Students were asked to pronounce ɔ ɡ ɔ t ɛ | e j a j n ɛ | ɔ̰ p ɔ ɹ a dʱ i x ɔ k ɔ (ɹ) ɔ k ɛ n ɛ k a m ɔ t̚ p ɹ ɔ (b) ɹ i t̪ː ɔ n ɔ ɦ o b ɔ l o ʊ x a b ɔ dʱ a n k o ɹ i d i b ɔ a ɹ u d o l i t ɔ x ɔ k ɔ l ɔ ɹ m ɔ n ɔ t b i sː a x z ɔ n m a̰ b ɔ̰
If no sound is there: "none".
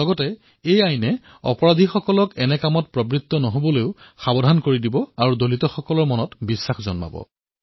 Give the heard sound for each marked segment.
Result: l, b

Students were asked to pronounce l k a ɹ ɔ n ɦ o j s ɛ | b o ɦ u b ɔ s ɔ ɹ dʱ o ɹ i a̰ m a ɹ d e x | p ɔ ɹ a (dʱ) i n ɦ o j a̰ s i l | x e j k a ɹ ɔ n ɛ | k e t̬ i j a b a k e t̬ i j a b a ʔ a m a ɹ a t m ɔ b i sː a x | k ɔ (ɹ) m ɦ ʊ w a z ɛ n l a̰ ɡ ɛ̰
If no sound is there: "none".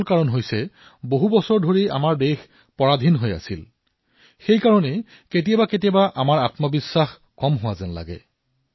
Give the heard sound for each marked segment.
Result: dʱ, none

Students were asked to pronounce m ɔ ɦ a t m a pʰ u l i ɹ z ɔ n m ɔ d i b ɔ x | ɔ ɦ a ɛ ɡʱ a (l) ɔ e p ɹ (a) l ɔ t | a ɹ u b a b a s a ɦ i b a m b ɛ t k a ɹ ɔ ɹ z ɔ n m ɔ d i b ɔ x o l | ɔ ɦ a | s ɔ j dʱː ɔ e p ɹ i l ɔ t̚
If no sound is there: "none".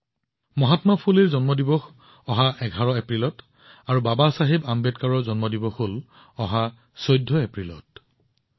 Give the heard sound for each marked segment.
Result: ɹ, i

